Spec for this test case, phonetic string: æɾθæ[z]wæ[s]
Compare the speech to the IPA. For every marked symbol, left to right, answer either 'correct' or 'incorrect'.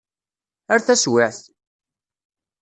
incorrect: s, incorrect: θ

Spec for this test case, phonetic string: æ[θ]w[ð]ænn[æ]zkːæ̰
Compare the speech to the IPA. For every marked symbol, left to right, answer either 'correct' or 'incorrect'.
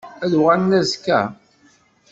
incorrect: ð, incorrect: ʁ, correct

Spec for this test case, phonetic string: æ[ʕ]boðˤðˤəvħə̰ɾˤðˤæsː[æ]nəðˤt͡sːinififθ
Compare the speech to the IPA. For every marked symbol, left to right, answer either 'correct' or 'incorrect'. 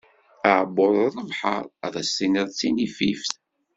correct, incorrect: i

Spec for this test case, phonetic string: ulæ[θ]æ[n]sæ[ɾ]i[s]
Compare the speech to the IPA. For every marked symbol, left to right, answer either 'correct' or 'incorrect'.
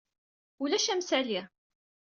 incorrect: ʃ, incorrect: m, incorrect: l, incorrect: none

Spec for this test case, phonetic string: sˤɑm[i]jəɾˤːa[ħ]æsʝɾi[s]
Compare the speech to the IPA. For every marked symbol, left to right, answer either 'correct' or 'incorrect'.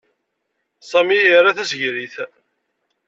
correct, incorrect: θ, incorrect: θ

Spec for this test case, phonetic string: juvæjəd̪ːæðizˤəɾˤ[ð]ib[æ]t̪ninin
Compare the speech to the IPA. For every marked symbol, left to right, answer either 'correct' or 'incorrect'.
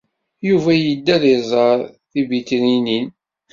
incorrect: θ, incorrect: i

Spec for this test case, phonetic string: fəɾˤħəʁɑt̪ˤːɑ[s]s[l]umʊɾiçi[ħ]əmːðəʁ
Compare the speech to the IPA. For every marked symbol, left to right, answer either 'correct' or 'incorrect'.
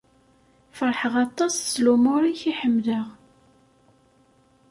correct, correct, correct

